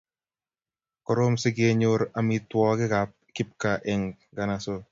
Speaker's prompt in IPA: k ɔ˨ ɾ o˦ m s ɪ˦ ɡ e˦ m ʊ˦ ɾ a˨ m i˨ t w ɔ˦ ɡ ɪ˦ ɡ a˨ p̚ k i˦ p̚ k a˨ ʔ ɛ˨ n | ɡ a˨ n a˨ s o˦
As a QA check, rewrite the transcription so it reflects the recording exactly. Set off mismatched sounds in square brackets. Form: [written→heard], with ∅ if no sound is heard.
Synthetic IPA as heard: k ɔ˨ ɾ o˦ m s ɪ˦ ɡ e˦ [m→ɲ] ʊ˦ ɾ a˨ m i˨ t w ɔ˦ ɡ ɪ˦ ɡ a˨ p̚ k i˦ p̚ k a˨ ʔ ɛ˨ [n→ŋ] | ɡ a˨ n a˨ s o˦